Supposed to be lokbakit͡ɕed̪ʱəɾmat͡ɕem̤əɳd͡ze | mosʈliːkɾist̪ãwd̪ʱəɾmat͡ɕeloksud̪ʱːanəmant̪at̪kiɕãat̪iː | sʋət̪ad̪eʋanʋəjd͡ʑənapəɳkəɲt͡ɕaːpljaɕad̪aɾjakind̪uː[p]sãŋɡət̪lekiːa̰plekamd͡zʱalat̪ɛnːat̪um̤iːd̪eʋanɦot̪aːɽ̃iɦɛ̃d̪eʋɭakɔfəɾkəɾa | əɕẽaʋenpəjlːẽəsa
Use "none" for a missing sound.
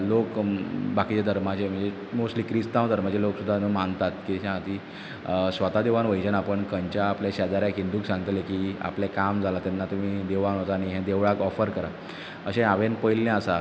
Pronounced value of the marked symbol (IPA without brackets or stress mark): k